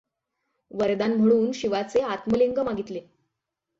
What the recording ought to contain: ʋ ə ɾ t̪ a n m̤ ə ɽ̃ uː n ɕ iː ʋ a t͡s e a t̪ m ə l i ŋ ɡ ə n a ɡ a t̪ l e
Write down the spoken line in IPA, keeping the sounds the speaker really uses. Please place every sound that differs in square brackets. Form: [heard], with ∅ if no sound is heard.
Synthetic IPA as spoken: ʋ ə ɾ [d̪] a n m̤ ə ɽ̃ uː n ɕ [i] ʋ a t͡s e a t̪ m ə l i ŋ ɡ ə [m] a ɡ [i] t̪ l e